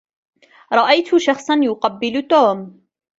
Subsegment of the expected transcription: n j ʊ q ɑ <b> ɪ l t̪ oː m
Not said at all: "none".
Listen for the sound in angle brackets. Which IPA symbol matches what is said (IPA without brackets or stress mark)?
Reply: bː